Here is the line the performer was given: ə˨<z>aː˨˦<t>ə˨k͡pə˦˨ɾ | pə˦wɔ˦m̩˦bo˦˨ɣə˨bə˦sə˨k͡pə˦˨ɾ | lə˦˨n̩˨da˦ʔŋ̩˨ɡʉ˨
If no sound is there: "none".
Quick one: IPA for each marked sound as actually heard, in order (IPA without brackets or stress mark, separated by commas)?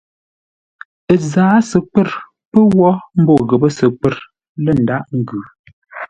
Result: z, s